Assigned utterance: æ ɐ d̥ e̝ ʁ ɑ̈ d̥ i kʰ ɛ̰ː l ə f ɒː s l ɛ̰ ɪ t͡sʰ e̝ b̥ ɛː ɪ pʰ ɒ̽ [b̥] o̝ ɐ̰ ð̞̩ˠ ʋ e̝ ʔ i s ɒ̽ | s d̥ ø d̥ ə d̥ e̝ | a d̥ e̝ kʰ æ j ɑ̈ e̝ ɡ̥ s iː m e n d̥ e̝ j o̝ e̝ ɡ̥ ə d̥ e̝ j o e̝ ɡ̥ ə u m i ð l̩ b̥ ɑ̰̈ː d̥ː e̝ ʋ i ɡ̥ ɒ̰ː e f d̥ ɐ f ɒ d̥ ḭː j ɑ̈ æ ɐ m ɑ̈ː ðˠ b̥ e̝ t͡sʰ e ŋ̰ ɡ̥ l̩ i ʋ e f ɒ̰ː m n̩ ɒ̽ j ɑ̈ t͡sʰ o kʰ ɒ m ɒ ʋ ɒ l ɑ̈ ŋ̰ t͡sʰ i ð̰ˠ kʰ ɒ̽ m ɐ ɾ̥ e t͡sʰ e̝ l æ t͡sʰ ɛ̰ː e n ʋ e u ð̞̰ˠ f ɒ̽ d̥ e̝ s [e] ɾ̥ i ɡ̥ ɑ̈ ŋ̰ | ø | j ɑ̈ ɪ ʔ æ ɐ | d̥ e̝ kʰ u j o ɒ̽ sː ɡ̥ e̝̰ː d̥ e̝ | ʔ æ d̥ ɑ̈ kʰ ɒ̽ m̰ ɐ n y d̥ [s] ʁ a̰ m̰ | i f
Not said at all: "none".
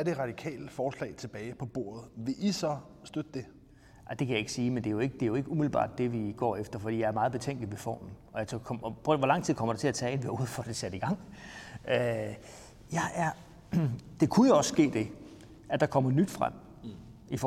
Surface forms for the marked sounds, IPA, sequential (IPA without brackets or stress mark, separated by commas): b̥, æ, f